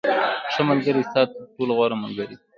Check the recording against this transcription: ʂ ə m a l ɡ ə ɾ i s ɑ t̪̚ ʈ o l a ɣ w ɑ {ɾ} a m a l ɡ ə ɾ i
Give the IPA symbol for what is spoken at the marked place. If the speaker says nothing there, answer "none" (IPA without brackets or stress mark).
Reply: ɾ